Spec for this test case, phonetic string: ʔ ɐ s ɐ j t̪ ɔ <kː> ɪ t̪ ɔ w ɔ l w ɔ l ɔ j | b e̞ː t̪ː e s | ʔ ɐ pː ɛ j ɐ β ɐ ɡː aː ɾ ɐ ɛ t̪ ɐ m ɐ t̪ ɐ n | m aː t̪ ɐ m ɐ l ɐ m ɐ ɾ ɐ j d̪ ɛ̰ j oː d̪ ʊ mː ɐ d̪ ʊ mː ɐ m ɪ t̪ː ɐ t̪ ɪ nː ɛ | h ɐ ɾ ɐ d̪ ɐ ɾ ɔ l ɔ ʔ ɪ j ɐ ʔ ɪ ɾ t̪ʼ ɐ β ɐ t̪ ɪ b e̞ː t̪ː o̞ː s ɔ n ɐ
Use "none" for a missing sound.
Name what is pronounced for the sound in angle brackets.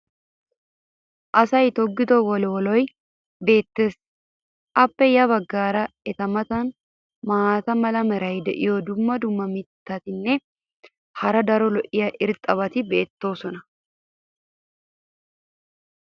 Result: ɡː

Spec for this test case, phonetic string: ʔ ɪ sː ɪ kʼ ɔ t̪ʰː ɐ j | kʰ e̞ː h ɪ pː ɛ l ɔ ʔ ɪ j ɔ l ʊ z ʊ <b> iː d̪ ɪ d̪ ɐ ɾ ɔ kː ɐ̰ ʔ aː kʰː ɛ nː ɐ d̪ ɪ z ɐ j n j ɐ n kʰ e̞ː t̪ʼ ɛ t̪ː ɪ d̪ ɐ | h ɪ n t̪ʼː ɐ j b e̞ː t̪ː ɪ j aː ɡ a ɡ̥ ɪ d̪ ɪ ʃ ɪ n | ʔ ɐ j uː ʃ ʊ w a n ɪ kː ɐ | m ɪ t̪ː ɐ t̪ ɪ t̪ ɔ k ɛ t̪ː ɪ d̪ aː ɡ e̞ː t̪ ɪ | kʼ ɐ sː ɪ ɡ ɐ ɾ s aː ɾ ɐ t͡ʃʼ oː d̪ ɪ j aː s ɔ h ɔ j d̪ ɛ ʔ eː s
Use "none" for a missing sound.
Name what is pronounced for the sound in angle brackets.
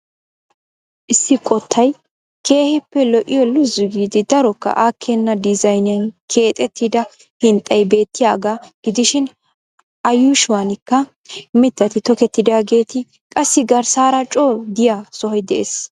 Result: ɡ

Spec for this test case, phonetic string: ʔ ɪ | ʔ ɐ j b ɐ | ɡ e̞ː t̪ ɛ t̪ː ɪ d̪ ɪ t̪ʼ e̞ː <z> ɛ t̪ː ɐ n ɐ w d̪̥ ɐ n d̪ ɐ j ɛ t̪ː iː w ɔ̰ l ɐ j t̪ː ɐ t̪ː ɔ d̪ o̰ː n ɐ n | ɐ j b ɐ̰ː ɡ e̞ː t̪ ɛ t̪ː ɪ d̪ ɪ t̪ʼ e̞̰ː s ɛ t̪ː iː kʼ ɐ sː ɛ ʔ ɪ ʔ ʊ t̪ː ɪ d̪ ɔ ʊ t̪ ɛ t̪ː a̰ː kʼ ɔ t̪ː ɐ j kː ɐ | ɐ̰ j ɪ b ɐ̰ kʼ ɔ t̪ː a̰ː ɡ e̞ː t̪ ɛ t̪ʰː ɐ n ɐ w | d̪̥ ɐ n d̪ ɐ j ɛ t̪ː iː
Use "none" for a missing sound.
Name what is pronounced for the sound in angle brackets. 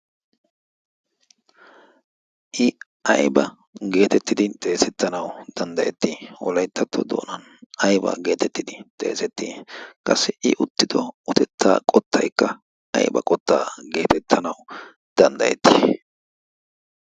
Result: s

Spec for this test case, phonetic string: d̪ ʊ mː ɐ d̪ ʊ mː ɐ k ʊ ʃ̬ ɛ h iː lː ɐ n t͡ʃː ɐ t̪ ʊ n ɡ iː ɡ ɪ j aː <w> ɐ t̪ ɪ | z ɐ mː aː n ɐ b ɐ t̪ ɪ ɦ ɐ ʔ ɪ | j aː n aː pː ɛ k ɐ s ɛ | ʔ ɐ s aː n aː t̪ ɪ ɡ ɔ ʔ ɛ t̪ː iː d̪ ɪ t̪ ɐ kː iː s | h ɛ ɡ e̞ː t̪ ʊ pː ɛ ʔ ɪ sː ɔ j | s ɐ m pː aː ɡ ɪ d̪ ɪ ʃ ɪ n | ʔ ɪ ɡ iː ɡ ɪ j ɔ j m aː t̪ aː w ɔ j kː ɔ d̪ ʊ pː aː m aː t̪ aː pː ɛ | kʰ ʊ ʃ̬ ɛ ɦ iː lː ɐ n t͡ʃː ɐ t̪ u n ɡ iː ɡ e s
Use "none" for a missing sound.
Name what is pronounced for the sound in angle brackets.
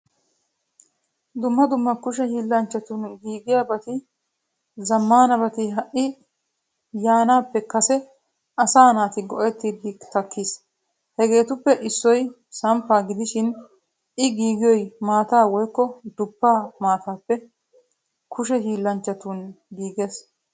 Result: b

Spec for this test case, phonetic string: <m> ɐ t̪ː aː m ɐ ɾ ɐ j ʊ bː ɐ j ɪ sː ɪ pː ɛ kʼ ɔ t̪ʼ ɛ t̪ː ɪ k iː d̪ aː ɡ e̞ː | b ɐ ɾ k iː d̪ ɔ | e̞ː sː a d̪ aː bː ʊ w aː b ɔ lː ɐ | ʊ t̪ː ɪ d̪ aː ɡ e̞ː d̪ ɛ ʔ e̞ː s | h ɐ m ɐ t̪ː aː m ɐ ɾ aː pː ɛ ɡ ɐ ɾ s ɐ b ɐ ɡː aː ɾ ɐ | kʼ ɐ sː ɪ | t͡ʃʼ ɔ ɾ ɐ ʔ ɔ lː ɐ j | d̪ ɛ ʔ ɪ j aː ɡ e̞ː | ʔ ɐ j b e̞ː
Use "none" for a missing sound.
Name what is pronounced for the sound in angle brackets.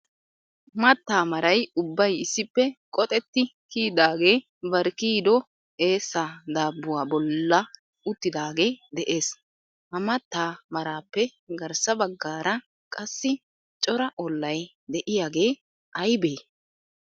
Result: m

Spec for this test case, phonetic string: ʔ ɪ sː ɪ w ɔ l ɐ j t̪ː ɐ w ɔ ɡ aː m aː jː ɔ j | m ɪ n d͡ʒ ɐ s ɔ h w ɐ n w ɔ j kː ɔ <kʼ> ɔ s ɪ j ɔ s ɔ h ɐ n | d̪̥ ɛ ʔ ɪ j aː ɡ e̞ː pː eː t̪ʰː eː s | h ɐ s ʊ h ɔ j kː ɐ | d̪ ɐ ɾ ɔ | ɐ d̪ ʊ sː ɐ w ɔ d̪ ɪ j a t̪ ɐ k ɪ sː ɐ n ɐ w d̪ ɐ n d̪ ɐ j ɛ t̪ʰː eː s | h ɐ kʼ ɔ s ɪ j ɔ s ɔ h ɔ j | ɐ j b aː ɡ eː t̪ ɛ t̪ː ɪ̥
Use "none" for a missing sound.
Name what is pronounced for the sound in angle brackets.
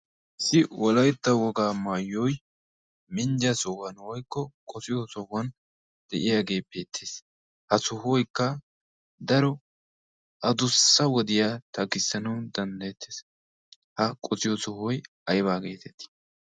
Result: kʼ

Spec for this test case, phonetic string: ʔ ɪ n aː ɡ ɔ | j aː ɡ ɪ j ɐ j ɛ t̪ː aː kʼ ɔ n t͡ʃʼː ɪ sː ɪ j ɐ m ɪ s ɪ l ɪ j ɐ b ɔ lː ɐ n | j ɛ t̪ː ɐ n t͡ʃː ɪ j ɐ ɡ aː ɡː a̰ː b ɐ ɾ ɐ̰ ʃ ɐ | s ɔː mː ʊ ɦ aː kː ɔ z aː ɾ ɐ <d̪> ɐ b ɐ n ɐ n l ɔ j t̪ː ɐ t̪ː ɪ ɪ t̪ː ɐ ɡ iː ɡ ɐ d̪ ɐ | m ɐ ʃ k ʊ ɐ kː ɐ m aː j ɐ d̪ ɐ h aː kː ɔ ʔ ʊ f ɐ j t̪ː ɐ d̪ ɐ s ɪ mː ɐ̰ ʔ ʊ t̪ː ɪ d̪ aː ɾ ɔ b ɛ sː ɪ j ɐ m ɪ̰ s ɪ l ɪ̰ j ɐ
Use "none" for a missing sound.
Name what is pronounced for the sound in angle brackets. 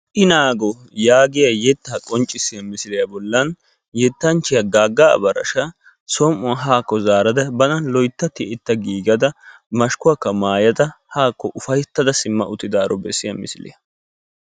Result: d̪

